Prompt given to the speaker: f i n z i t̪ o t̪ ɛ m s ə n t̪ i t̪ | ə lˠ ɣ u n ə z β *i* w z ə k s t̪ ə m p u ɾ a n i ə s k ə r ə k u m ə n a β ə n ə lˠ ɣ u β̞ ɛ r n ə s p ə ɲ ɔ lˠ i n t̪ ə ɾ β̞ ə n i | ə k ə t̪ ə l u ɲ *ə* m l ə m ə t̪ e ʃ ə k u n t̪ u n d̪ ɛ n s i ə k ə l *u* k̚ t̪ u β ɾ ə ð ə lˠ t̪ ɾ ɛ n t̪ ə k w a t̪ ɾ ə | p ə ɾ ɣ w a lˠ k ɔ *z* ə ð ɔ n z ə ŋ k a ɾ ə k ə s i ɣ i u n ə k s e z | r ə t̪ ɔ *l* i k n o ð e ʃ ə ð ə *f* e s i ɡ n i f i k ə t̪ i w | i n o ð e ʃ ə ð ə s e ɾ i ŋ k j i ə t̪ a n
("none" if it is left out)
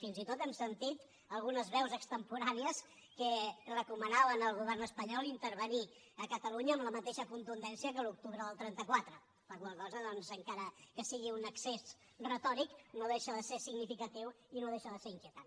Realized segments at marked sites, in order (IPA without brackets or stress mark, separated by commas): ɛ, əː, u, z, ɾ, s